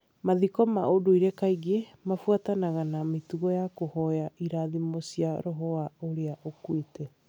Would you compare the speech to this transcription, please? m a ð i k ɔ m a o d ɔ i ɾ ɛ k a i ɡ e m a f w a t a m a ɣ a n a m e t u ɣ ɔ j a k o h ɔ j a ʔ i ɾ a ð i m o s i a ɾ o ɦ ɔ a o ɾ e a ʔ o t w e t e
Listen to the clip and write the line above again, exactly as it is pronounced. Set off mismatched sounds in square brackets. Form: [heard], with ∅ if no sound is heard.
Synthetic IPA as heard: m a ð i k ɔ m a o d [o] i ɾ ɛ k a i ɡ e m a f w a t a [n] a ɣ a n a m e t u ɣ ɔ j a k o h ɔ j a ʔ i ɾ a ð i m o s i a ɾ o ɦ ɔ a o ɾ e a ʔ o [k] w e t [ɛ]